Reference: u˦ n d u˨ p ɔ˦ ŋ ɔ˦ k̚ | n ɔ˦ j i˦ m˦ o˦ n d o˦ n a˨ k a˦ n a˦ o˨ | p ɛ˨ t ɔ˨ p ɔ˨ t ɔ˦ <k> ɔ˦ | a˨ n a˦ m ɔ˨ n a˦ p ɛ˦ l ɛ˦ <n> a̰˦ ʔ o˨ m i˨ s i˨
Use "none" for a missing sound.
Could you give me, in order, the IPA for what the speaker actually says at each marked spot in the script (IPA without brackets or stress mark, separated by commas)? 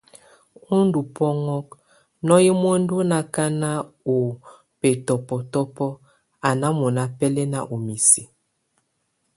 p, n